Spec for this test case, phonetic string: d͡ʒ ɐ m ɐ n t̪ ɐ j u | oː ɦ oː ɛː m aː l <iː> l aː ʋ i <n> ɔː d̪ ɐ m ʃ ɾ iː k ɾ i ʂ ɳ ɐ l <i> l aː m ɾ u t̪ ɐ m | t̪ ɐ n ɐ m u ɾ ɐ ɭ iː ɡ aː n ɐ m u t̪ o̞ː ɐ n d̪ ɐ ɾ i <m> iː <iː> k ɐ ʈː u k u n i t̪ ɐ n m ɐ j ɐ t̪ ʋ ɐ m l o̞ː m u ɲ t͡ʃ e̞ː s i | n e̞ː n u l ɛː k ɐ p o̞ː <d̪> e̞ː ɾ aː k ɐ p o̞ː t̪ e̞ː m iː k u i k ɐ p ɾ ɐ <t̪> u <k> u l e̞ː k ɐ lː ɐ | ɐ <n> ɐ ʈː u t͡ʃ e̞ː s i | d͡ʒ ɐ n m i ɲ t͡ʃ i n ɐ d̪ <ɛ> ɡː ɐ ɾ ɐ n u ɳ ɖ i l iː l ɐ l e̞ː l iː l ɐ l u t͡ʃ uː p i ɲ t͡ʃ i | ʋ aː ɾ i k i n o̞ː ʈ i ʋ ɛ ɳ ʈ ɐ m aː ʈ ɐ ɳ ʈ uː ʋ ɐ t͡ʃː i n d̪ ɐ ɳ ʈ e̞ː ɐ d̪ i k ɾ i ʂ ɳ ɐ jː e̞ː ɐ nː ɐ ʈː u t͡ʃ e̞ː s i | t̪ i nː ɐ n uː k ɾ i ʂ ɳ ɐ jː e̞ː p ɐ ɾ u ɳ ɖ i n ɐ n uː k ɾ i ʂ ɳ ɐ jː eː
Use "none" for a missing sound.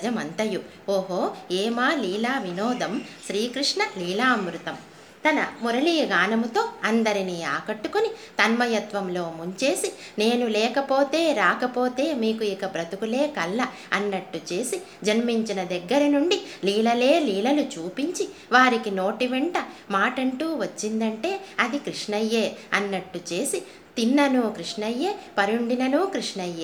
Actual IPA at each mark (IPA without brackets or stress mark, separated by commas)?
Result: iː, n, iː, n, aː, t̪, t̪, k, nː, ɛ